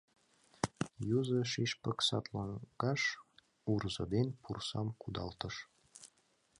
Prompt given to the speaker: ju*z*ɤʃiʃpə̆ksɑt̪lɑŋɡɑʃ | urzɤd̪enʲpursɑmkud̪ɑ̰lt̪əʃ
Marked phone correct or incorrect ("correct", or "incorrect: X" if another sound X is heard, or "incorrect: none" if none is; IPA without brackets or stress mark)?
correct